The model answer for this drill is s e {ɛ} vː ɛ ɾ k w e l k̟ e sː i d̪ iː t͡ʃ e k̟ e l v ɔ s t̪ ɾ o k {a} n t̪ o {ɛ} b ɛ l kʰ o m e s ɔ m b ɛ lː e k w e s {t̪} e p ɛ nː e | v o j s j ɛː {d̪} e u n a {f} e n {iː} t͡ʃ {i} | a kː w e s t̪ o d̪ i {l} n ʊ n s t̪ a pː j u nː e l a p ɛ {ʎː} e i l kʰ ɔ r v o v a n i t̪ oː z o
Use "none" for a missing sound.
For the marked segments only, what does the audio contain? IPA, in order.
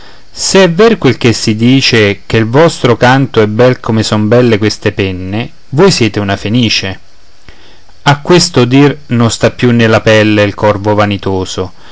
ɛ, a, ɛ, t̪, t̪, f, iː, e, r, lː

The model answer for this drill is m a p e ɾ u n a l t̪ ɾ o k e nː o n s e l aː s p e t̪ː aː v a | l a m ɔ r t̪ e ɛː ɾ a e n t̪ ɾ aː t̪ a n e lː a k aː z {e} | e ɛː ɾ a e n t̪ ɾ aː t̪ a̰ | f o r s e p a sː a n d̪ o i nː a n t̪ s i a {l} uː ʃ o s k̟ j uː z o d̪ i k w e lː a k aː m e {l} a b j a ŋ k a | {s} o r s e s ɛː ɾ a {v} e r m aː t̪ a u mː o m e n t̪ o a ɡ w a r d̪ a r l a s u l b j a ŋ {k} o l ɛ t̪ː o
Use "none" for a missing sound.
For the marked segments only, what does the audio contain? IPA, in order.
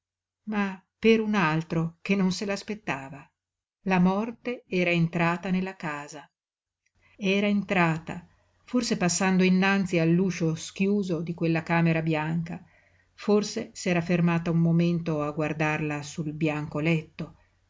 a, lː, ɾ, f, f, k

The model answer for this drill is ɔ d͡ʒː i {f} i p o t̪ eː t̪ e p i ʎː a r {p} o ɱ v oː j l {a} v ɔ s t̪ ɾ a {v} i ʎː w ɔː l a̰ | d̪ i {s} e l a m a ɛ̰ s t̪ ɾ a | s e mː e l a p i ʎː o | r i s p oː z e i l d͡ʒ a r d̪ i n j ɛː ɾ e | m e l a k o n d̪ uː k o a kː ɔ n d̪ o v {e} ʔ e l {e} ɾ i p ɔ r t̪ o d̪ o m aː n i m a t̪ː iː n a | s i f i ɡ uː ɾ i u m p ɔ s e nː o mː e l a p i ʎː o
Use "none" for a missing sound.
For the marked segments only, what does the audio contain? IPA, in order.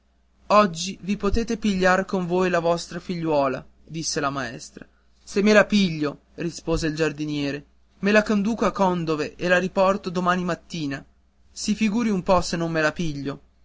v, k, a, f, sː, e, a

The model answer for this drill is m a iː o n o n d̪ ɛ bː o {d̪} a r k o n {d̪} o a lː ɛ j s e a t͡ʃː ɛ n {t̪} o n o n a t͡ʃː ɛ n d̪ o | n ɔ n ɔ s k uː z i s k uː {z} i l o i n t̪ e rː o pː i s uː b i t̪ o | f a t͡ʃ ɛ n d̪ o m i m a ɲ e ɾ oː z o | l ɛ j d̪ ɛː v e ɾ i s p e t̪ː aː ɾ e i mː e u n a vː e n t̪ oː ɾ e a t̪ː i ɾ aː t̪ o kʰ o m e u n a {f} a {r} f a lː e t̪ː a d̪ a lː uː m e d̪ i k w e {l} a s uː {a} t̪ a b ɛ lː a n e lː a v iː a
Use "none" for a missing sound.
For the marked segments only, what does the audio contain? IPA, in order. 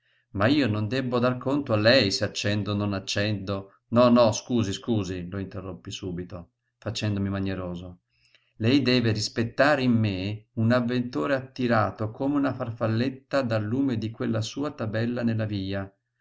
d̪, t̪, d̪, z, f, r, lː, a

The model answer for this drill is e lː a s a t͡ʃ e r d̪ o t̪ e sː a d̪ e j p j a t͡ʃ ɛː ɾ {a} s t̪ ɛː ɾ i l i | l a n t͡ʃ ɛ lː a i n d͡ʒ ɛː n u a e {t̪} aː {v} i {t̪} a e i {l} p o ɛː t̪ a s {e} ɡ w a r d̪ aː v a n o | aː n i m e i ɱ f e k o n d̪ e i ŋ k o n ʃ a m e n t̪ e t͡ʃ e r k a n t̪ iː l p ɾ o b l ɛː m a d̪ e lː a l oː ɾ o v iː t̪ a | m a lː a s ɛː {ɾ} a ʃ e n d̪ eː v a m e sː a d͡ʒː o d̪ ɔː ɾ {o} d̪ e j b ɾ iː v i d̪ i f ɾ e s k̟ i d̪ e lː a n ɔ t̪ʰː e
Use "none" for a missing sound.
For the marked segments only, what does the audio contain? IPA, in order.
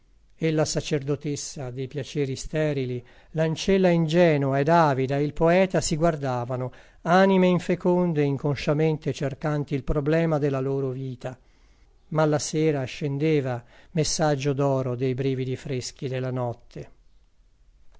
i, d̪, v, d̪, l, i, ɾ, o

